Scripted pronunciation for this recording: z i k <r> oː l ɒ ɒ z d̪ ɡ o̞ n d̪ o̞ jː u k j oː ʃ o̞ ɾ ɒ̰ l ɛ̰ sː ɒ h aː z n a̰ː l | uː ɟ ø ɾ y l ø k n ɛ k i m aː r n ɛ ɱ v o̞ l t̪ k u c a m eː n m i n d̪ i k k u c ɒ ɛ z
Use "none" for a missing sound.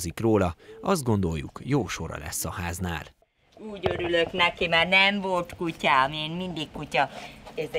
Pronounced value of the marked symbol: r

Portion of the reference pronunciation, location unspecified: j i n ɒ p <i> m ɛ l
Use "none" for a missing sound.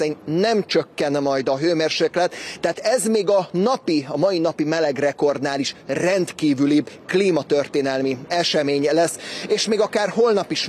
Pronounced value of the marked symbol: i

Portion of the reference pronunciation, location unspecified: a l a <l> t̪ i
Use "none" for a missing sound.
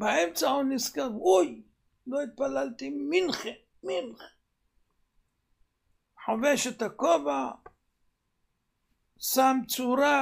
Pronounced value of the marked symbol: l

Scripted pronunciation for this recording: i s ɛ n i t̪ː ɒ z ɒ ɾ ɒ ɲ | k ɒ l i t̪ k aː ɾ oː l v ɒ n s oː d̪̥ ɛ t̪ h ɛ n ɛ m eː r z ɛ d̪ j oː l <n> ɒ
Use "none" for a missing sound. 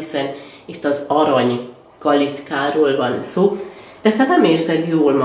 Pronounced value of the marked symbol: m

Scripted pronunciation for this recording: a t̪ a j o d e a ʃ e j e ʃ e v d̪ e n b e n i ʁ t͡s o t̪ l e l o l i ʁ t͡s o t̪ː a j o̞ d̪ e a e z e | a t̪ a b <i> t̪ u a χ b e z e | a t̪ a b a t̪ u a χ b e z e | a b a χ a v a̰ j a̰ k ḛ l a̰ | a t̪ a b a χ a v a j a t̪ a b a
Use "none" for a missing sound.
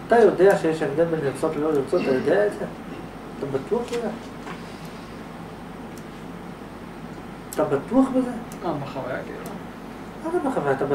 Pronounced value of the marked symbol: a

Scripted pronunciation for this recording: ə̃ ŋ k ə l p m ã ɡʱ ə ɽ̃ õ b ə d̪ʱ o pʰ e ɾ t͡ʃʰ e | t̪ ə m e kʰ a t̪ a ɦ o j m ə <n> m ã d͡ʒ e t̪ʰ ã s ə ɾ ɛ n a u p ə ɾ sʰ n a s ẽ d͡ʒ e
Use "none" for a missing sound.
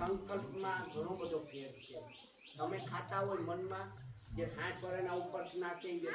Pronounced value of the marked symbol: n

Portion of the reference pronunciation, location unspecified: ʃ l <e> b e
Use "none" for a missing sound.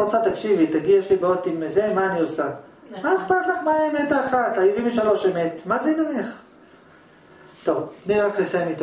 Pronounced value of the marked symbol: i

